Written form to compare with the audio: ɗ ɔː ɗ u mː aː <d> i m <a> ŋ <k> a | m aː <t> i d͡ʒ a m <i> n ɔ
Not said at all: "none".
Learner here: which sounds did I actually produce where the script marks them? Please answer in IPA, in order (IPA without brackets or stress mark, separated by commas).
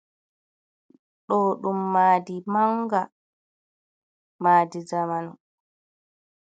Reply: d, a, ɡ, d, a